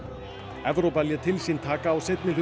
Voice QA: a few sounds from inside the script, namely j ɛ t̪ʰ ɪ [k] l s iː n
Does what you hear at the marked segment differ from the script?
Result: yes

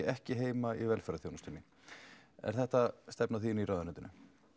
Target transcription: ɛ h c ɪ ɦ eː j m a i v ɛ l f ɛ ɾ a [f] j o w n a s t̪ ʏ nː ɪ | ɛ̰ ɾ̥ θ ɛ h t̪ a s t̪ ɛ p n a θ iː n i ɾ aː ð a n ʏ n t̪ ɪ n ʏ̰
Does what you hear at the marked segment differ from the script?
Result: yes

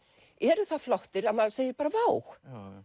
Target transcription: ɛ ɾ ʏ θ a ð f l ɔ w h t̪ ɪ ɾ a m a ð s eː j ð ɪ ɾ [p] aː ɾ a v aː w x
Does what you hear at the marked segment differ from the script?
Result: no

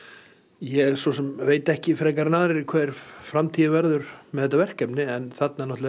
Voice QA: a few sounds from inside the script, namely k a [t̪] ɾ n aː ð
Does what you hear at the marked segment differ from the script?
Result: yes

